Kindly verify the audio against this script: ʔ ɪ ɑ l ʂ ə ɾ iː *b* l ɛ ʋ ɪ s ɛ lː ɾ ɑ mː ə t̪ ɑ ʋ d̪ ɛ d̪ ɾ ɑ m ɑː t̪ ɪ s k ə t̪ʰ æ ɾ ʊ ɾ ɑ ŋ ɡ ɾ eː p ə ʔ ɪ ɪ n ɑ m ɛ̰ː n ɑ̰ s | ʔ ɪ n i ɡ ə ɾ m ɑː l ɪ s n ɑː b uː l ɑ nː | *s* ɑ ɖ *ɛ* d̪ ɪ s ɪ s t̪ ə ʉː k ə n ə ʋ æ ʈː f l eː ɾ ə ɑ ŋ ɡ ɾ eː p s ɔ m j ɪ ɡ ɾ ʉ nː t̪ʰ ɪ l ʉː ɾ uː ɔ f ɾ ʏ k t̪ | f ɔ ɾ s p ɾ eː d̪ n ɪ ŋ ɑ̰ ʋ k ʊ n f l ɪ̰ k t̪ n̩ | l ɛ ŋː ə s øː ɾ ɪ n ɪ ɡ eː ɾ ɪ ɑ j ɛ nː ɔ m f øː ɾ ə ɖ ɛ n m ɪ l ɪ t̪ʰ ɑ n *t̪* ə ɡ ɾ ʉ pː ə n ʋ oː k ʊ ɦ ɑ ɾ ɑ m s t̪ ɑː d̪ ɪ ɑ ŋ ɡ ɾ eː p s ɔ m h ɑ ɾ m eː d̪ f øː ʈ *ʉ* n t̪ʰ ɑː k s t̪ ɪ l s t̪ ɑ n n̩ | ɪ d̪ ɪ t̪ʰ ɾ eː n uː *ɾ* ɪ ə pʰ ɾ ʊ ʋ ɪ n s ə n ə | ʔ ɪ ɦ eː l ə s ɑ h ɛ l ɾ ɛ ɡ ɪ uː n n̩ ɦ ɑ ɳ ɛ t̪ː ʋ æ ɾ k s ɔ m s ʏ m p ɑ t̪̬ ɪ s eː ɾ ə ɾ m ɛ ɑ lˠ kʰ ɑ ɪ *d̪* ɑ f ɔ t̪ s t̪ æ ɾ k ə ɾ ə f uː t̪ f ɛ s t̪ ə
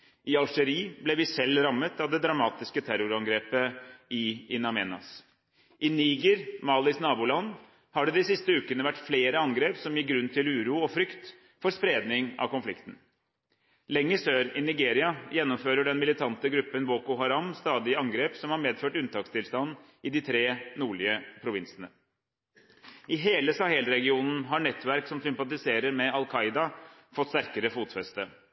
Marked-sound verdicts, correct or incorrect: correct, incorrect, correct, correct, correct, incorrect, correct

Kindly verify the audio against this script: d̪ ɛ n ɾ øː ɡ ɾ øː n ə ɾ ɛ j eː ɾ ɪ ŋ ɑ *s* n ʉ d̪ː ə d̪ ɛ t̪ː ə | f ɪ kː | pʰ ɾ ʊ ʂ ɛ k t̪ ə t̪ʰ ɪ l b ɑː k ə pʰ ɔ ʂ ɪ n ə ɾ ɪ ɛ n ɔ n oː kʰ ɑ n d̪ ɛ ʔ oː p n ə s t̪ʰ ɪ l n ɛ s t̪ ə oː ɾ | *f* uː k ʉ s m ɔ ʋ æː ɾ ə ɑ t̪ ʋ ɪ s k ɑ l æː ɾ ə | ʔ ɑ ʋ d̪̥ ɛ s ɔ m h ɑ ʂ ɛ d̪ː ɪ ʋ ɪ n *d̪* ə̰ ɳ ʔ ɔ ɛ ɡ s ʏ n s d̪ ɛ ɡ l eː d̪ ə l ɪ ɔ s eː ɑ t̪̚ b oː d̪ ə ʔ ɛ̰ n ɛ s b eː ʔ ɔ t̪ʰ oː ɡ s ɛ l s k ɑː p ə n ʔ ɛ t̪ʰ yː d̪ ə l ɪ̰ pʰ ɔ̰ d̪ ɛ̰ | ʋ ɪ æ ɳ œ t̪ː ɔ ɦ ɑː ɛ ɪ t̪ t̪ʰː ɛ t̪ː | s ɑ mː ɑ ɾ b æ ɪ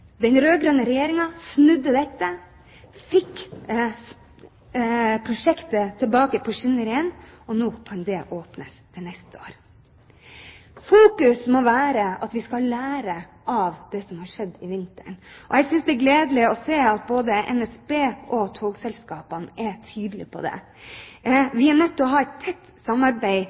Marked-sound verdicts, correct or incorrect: correct, correct, incorrect

